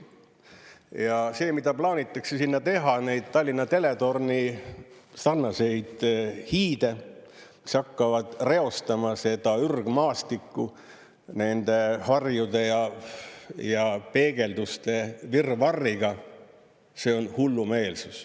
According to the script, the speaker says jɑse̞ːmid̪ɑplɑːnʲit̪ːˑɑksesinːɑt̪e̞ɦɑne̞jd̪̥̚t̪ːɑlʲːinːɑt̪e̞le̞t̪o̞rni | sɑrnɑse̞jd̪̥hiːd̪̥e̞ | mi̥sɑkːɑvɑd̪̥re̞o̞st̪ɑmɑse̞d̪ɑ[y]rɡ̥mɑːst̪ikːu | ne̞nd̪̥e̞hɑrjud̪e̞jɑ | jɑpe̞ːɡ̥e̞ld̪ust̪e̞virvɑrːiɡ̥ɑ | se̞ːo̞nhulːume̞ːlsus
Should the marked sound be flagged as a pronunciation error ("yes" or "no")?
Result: no